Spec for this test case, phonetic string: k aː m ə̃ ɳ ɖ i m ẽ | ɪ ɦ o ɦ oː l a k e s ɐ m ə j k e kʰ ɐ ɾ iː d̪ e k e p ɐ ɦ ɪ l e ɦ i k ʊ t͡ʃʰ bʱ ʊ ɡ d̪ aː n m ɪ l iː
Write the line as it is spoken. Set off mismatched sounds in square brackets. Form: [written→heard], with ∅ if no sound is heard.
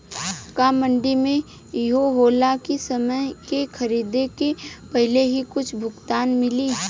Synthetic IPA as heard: k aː m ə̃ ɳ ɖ i m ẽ | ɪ ɦ o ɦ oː l a k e s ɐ m ə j k e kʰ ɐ ɾ iː d̪ e k e p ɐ ɦ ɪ l e ɦ i k ʊ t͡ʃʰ bʱ ʊ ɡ [d̪→t̪] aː n m ɪ l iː